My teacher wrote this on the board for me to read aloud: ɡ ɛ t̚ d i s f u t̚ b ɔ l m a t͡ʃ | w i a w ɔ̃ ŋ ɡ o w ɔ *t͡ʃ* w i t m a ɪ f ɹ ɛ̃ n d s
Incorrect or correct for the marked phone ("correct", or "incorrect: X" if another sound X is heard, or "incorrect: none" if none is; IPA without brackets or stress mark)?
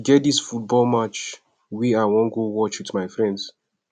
correct